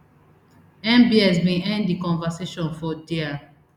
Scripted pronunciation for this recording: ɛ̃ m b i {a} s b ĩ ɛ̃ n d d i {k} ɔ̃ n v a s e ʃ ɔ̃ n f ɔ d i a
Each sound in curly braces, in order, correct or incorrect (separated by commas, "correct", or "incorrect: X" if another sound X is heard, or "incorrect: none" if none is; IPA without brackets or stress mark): incorrect: ɛ, correct